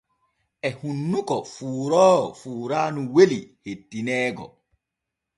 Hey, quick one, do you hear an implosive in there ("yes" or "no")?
no